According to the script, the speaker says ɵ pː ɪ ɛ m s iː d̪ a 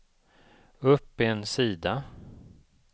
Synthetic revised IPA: ɵ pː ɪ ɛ n s iː d̪ a